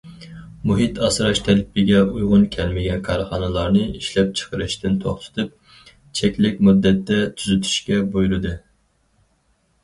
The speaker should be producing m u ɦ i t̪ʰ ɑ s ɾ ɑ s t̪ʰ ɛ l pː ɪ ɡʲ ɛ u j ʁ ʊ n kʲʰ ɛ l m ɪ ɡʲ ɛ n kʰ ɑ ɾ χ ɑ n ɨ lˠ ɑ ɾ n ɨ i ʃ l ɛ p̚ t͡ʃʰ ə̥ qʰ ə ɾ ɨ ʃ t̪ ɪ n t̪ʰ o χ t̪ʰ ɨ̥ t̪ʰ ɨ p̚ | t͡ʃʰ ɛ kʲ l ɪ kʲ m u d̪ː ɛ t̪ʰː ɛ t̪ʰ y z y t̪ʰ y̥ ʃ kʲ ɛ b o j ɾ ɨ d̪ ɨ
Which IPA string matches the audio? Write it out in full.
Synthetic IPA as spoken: m u ɦ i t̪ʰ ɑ s ɾ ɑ ʃ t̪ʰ ɛ l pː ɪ ɡʲ ɛ u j ʁ ʊ n kʲʰ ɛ l m ɪ ɡʲ ɛ n kʰ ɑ ɾ χ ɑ n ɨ lˠ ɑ ɾ n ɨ i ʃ l ɛ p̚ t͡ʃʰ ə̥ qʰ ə ɾ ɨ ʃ t̪ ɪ n t̪ʰ o χ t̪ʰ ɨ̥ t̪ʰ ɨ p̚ | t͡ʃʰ ɛ kʲ l ɪ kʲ m u d̪ː ɛ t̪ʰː ɛ t̪ʰ y z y t̪ʰ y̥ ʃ kʲ ɛ b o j ɾ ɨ d̪ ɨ